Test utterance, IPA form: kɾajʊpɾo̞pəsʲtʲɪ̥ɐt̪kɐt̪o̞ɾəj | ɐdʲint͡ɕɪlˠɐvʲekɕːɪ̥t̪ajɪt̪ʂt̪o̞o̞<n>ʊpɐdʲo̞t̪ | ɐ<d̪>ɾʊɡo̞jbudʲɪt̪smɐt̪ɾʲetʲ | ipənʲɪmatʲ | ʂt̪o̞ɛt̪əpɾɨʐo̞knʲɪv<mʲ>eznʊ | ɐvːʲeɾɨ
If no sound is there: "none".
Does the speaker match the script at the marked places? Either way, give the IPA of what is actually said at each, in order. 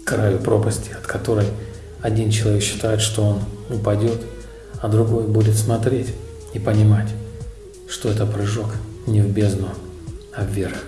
n, d̪, bʲ

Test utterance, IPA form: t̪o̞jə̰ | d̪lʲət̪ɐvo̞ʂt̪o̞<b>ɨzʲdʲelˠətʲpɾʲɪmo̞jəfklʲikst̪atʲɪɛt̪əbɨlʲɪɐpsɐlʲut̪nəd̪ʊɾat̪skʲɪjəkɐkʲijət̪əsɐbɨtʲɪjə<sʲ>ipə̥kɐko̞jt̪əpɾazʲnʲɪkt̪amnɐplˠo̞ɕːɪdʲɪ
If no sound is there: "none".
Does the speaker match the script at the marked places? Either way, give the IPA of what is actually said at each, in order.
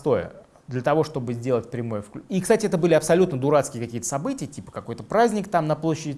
b, tʲ

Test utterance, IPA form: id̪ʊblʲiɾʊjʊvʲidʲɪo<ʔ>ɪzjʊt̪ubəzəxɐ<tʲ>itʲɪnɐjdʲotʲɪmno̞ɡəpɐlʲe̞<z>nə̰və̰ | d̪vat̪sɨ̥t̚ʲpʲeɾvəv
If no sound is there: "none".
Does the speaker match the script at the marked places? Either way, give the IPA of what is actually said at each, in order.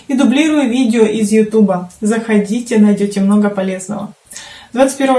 ʔ, dʲ, z

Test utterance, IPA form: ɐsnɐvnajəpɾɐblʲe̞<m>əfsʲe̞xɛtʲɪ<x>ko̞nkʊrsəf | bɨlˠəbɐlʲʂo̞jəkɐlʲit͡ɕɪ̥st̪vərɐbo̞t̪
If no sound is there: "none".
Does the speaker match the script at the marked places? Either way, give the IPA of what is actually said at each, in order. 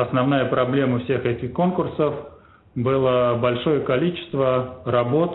m, x

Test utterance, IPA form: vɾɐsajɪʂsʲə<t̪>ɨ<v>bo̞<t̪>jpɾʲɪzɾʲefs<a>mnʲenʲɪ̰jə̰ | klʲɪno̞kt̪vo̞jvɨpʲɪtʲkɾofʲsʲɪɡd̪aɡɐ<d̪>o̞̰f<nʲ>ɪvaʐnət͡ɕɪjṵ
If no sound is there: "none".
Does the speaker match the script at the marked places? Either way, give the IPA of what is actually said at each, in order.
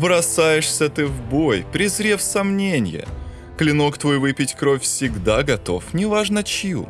t̪, v, none, ɐ, t̪, nʲ

